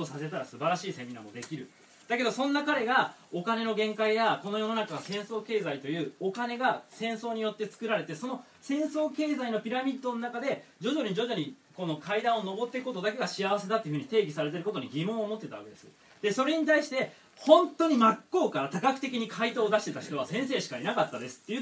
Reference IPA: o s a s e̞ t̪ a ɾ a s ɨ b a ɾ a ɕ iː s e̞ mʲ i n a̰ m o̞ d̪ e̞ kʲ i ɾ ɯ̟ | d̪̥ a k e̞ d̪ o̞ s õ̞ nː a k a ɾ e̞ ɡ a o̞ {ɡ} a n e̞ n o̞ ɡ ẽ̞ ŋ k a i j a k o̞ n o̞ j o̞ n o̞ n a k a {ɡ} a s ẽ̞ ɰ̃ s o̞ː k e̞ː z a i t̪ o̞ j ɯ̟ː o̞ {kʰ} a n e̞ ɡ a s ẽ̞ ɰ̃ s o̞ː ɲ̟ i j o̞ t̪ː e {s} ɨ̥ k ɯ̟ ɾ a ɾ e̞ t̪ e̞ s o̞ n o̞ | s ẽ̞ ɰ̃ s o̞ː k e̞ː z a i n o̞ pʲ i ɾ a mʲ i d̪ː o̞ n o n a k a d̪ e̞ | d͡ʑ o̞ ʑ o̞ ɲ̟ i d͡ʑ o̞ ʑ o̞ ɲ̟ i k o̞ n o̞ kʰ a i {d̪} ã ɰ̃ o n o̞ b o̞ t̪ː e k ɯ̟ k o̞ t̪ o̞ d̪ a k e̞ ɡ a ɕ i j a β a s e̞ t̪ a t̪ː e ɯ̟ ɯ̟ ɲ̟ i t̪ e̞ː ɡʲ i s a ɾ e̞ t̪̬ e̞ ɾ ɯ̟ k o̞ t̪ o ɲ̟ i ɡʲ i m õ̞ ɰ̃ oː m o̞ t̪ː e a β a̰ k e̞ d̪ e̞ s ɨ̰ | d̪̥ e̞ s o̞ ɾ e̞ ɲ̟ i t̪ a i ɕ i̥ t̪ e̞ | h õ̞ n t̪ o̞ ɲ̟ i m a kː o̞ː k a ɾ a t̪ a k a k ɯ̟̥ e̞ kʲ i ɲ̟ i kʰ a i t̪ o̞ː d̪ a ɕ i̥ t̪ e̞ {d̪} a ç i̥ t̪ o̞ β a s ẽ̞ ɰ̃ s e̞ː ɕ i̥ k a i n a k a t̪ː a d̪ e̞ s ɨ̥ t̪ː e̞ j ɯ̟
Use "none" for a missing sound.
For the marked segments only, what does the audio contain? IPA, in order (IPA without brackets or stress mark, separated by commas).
k, ɡ, k, t͡s, d̪, t̪